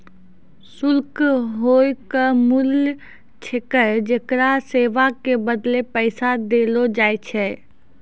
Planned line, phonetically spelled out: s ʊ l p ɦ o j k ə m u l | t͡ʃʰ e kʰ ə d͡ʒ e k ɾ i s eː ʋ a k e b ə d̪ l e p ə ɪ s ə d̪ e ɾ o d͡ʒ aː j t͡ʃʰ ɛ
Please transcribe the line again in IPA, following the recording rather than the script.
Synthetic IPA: s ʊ l k ɦ o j k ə m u l | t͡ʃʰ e k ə d͡ʒ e k ɾ a s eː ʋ a k e b ə d̪ l e p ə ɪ s a d̪ e l o d͡ʒ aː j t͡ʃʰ ɛ